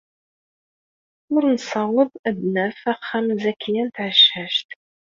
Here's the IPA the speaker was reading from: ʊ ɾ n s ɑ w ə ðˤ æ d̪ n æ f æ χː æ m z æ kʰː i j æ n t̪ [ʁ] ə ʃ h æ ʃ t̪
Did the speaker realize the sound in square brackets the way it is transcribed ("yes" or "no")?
no